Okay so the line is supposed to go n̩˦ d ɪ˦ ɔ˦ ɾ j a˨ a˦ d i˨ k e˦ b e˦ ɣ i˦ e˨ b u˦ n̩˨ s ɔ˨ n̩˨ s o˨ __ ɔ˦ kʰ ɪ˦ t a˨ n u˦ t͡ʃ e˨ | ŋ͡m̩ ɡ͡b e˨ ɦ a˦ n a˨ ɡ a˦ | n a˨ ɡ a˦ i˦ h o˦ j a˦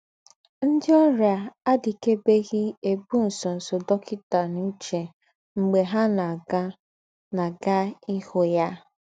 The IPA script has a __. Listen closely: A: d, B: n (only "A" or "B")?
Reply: A